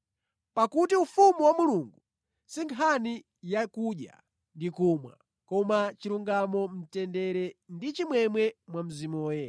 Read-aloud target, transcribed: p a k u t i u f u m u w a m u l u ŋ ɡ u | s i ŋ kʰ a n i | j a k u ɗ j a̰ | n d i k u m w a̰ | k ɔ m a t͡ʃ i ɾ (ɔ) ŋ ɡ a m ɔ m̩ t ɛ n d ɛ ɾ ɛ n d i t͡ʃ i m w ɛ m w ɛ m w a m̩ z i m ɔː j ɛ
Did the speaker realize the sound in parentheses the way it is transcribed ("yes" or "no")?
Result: no